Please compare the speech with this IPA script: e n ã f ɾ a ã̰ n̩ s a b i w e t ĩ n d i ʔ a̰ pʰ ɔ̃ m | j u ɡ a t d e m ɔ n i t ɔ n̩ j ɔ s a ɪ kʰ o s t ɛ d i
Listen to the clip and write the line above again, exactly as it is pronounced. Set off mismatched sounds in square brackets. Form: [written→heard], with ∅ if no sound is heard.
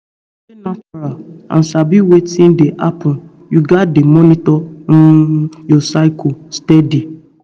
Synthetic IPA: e n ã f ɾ a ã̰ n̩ s a b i w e t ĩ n d [i→e] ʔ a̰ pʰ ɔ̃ [m→n] | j u ɡ a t d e m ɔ n i t ɔ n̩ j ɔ s a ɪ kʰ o s t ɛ d i